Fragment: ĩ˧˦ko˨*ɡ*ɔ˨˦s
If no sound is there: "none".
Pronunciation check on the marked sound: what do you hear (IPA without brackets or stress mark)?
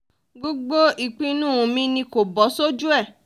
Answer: b